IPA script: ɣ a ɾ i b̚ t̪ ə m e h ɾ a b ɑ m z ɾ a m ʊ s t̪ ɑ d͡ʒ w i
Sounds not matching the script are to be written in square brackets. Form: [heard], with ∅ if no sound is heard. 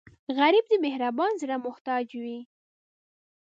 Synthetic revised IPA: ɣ a ɾ i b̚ [d̪] ə m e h ɾ a b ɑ [n] z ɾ a m ʊ [h] t̪ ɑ d͡ʒ w i

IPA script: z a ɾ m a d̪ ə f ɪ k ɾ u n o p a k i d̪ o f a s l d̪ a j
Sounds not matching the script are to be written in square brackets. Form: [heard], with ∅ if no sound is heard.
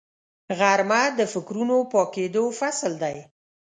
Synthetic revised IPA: [ɣ] a ɾ m a d̪ ə f ɪ k ɾ u n o p [ɑ] k [e] d̪ o f a s l d̪ a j

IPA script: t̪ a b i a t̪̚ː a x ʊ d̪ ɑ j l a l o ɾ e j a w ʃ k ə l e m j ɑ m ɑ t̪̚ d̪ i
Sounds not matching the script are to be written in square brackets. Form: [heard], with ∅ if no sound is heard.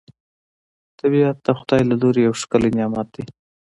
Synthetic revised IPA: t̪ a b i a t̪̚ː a x ʊ d̪ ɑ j l a l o ɾ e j a w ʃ k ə l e [n] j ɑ m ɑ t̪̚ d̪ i

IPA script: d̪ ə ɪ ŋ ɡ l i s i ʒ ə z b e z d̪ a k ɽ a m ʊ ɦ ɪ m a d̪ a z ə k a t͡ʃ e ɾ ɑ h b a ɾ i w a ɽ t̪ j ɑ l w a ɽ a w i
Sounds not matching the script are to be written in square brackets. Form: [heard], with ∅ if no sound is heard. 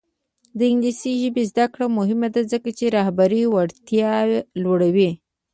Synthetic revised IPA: d̪ ə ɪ ŋ ɡ l i s i ʒ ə [∅] b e z d̪ a k ɽ a m ʊ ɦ ɪ m a d̪ a z ə k a t͡ʃ e ɾ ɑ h b a ɾ i w a ɽ t̪ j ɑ l w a ɽ a w i

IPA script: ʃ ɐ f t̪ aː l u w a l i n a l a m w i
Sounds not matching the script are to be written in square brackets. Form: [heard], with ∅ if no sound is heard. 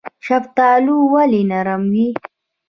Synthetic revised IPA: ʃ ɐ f t̪ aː l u w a l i n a [ɾ] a m w i

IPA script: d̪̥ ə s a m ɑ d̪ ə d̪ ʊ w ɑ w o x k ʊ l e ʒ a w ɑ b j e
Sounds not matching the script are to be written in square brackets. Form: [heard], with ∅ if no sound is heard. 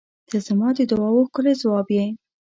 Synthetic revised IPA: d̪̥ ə [z] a m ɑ d̪ ə d̪ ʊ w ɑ w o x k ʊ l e [z] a w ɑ b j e

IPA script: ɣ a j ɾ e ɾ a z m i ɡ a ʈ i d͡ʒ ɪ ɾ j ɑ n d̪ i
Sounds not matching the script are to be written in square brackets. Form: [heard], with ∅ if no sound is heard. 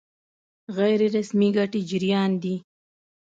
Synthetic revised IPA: ɣ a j ɾ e ɾ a [s] m i ɡ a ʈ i d͡ʒ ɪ ɾ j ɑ n d̪ i

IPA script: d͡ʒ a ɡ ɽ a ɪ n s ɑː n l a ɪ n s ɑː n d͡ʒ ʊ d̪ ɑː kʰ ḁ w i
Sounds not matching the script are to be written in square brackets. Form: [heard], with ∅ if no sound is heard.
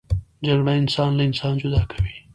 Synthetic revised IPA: d͡ʒ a ɡ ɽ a ɪ n s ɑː n l a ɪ n s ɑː n d͡ʒ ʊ d̪ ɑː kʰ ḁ w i

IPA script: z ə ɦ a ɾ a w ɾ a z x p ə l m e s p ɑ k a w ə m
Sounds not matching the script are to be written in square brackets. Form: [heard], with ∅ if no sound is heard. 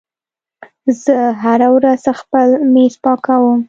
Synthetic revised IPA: z ə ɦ a ɾ a w ɾ a z x p ə l m e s p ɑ k a w ə m

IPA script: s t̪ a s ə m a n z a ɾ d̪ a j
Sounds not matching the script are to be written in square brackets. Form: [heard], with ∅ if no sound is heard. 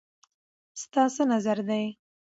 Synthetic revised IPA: s t̪ [ɑ] s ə [n] a [∅] z a ɾ d̪ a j

